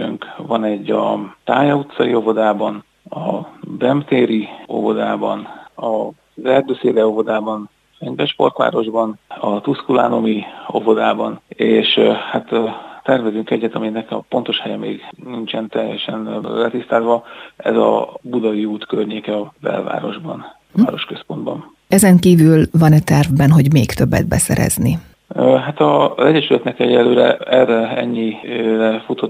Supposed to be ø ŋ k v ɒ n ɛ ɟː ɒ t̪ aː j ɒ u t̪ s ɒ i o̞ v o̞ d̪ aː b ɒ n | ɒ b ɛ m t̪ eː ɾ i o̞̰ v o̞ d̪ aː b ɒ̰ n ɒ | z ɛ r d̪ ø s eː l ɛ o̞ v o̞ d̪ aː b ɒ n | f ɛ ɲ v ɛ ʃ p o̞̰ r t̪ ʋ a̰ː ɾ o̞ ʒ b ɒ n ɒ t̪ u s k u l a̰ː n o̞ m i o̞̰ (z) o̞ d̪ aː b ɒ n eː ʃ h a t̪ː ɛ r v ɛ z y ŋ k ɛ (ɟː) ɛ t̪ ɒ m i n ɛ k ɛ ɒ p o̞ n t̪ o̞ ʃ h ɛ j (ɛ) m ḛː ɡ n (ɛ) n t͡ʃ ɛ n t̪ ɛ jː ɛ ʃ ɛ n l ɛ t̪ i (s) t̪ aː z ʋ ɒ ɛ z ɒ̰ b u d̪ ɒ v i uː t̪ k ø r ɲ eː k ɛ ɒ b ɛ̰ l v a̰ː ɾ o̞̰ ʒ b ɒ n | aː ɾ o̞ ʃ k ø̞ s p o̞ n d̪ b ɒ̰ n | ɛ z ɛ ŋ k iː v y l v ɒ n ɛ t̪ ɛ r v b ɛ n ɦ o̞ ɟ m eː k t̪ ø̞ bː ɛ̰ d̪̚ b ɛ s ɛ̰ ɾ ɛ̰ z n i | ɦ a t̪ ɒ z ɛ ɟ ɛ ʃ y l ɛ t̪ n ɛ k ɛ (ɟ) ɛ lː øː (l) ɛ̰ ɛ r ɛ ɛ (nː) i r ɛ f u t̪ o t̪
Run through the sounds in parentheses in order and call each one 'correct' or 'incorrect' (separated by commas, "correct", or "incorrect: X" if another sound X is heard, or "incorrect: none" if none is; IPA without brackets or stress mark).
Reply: incorrect: v, correct, correct, incorrect: i, correct, correct, incorrect: ɾ, incorrect: ɲː